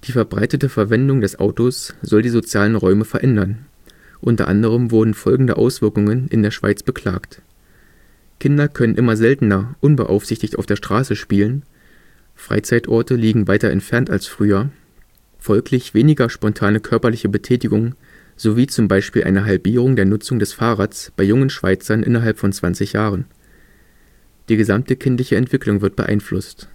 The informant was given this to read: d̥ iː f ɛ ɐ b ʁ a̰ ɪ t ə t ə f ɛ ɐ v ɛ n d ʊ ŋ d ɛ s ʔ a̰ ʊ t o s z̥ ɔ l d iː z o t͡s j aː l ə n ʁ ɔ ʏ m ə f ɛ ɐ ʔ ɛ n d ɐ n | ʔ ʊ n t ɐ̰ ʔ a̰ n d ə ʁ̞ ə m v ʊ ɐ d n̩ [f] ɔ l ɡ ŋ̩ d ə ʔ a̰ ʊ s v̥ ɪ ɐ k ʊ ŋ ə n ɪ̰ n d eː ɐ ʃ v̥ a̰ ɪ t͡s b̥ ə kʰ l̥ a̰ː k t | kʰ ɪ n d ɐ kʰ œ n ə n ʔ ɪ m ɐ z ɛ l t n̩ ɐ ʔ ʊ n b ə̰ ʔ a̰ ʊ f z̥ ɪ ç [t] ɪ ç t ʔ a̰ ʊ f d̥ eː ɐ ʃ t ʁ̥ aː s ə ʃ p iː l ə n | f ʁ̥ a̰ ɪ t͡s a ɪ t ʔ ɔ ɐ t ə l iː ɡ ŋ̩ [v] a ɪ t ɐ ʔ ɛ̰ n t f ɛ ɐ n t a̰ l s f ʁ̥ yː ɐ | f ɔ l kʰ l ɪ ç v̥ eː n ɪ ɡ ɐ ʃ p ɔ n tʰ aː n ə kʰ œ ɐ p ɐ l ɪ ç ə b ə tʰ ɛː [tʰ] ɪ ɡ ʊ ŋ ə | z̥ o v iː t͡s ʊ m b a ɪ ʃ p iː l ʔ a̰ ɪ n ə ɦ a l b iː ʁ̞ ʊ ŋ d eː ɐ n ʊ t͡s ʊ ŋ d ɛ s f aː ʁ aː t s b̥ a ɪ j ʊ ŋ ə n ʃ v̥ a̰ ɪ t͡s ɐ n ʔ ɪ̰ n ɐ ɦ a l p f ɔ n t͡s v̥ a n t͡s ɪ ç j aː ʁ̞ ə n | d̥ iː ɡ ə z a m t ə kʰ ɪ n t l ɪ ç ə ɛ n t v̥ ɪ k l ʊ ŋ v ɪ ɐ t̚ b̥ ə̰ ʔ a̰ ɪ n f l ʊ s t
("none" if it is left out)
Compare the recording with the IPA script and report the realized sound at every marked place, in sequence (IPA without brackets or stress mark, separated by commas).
f, t, v, t